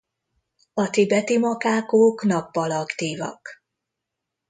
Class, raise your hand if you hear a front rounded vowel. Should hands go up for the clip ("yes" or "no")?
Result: no